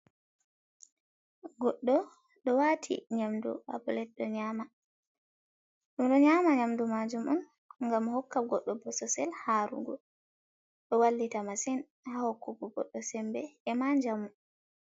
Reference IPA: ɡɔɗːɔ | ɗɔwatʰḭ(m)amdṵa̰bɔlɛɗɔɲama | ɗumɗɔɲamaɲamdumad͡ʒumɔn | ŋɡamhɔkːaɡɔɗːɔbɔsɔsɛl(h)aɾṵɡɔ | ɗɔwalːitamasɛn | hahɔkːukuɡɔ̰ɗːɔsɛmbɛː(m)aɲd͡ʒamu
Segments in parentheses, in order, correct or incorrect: incorrect: ɲ, correct, correct

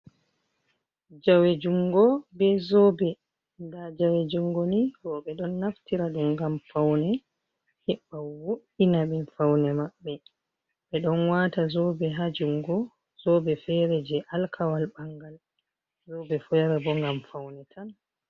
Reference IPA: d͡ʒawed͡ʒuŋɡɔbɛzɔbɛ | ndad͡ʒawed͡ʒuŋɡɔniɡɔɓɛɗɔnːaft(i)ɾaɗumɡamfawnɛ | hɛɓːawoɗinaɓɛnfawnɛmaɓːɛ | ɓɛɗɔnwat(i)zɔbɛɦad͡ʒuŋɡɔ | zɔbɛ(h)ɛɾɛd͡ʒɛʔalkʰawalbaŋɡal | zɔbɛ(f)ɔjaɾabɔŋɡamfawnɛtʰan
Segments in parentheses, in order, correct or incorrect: correct, incorrect: a, incorrect: f, correct

